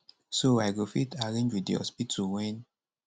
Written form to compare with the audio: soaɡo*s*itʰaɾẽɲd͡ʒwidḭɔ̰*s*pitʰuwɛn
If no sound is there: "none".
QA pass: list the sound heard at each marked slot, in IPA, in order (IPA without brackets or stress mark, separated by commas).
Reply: f, s